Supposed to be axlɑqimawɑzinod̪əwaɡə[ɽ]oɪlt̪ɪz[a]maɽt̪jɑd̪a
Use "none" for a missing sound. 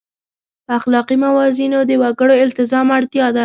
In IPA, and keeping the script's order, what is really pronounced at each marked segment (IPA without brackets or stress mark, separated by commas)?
ɽ, ɑ